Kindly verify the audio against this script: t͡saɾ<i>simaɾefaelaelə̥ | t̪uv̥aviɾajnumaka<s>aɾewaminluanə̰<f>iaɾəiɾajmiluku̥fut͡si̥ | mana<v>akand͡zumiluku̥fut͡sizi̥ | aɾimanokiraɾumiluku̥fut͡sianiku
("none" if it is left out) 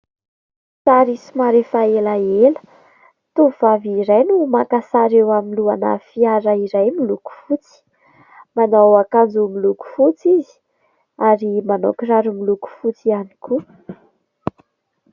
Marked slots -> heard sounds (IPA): i, s, f, w

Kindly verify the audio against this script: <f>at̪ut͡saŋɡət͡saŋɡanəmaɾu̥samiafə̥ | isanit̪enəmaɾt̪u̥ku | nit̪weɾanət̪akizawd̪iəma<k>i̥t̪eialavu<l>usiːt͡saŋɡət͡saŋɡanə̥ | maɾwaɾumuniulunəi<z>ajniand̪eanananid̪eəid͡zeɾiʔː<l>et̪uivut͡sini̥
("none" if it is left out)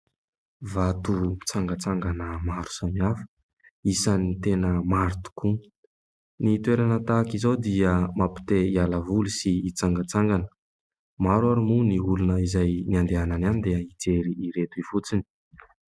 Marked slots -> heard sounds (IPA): v, p, l, z, ɾ

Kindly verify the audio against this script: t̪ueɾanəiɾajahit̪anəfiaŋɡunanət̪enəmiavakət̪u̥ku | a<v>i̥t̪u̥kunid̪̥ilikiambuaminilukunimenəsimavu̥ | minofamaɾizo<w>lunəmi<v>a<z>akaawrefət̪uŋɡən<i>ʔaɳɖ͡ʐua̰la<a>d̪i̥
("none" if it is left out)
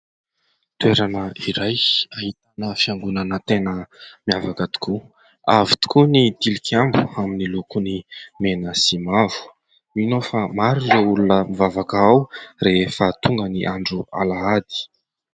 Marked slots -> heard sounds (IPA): v, u, v, v, i, a

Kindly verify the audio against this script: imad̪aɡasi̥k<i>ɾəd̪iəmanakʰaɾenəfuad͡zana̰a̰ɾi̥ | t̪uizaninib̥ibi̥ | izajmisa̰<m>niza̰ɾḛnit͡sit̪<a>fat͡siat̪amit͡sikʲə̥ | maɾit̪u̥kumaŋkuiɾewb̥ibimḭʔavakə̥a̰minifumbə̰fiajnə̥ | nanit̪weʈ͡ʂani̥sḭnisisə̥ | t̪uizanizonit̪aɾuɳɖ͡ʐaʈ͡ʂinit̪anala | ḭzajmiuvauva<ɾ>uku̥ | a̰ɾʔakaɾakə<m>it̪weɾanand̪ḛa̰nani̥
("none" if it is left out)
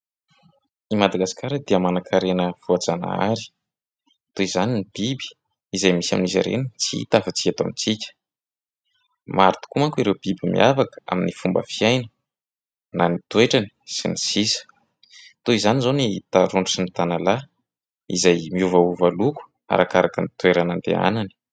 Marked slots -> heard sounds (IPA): a, m, a, l, n

